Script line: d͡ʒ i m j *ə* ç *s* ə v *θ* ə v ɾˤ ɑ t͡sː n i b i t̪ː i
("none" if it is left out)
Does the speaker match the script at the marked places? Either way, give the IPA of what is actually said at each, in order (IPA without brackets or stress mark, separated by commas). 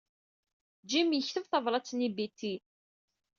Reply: ə, θ, θ